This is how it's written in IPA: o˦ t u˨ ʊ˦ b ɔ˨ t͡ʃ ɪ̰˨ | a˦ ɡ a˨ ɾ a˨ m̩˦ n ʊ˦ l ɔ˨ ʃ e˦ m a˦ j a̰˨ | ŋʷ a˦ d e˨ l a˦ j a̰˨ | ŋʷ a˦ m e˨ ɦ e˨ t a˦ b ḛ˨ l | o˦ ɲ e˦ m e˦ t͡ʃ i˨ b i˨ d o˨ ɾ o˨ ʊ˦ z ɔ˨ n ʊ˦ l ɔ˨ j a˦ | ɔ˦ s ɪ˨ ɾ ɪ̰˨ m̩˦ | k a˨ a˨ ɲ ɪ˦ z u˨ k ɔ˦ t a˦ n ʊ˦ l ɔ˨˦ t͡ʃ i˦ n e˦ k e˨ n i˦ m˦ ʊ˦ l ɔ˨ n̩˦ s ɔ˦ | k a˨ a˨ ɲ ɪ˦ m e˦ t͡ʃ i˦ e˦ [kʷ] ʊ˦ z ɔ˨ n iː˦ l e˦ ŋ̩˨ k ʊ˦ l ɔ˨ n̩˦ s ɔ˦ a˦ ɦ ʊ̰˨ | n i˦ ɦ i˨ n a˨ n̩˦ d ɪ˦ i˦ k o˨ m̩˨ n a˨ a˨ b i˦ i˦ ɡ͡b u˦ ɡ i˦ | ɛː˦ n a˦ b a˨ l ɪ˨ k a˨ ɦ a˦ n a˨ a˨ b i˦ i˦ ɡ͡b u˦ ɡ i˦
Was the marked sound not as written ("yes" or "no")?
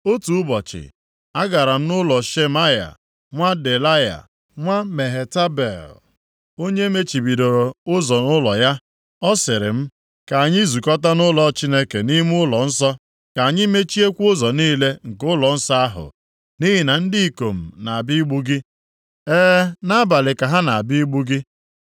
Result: no